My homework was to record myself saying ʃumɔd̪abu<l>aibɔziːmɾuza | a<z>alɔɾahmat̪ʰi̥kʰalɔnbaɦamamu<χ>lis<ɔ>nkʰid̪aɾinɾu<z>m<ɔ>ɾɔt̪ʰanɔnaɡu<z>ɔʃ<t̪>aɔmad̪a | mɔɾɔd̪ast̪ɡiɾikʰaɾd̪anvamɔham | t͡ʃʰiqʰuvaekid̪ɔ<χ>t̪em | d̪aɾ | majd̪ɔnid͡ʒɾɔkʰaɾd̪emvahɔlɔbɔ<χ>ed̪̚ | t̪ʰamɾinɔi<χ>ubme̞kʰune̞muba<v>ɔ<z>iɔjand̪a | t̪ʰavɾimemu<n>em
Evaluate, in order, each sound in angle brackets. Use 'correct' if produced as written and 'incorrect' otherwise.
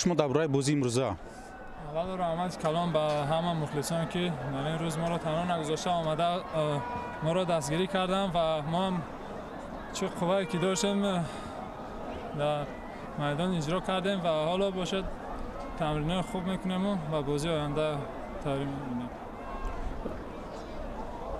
incorrect: ɾ, incorrect: v, correct, correct, correct, correct, correct, correct, incorrect: ʃ, incorrect: ʃ, correct, incorrect: b, correct, correct

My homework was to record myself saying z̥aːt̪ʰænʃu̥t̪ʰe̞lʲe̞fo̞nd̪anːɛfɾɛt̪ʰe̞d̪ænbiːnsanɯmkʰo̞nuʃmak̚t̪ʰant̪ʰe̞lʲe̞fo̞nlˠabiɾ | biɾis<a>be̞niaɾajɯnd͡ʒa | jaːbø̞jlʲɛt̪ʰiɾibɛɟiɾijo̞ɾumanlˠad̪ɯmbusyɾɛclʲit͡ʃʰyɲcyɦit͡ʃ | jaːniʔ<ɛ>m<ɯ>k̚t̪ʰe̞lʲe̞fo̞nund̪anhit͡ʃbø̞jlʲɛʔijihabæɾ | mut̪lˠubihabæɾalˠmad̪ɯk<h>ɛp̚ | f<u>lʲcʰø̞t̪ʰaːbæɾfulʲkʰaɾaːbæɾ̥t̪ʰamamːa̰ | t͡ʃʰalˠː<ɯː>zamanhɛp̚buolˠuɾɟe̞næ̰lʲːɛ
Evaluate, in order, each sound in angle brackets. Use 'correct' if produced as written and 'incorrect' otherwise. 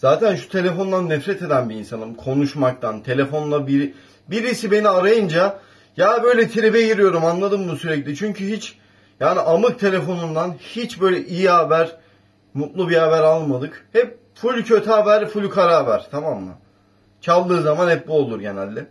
incorrect: i, incorrect: a, correct, correct, correct, correct

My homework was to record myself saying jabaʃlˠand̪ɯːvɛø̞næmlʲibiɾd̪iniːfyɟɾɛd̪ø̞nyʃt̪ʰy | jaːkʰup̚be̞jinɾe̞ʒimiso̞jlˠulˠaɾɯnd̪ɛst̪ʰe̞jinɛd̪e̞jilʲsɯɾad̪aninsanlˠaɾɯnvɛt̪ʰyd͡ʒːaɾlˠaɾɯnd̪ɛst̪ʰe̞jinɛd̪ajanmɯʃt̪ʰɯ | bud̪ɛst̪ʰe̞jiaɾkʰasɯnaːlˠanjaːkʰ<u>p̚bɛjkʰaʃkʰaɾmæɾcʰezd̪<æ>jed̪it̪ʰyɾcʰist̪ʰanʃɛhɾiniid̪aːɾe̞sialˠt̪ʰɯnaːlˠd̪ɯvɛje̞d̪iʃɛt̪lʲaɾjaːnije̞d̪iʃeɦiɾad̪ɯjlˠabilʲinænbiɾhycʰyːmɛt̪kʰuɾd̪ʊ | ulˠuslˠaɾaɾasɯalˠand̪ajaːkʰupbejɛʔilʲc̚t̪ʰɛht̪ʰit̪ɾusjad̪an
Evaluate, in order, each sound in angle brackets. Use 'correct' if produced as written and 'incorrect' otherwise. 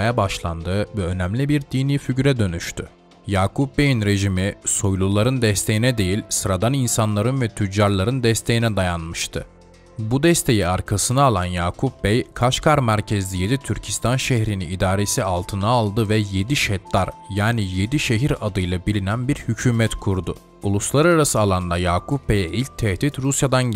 correct, incorrect: i

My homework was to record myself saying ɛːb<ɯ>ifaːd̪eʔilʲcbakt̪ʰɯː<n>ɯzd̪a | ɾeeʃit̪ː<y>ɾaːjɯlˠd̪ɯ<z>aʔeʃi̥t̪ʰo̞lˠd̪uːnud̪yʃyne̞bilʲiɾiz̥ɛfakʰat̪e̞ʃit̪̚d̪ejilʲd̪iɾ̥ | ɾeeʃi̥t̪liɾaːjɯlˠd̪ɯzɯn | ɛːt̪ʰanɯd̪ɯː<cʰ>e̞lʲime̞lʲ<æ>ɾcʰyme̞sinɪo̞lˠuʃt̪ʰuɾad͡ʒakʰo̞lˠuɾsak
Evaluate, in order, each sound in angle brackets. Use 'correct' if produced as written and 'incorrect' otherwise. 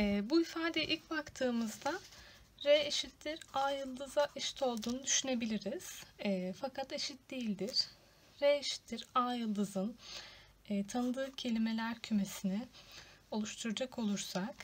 incorrect: u, incorrect: m, incorrect: i, correct, correct, correct

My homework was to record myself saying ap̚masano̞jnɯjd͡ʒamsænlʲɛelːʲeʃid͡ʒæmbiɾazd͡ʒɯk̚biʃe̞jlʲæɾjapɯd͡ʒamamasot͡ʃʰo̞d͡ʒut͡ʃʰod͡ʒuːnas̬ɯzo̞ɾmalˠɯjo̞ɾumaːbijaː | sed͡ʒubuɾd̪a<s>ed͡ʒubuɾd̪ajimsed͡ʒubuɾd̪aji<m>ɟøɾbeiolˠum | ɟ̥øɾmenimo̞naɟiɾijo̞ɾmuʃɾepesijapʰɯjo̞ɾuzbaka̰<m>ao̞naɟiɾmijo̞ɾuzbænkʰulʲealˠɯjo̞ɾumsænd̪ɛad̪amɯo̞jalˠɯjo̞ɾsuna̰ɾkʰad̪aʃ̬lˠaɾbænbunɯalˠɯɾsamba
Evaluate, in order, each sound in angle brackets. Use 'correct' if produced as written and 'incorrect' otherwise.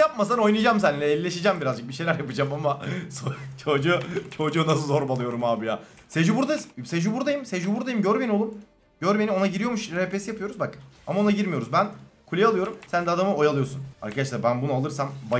correct, correct, correct

